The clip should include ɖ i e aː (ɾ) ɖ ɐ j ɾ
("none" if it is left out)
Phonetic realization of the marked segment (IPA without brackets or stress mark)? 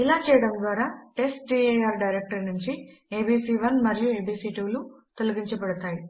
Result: ɾ